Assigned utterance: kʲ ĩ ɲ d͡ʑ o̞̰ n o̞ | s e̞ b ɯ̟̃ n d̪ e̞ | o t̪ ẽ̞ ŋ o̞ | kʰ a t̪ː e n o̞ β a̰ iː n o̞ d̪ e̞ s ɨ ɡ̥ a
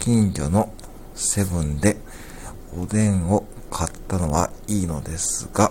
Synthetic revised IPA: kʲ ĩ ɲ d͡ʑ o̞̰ n o̞ | s e̞ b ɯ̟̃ n d̪ e̞ | o d̪ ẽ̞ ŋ o̞ | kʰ a t̪ː a n o̞ β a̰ iː n o̞ d̪ e̞ s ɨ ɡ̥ a